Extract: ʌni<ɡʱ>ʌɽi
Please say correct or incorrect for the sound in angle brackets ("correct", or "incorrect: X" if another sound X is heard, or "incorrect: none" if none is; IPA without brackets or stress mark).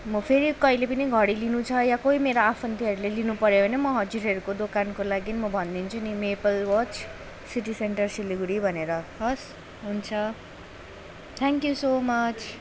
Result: correct